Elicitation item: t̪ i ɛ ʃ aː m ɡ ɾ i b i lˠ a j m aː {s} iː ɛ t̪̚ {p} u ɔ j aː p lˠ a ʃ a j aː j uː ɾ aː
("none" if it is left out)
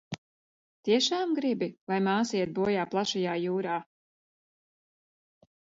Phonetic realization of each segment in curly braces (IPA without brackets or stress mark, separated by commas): s, b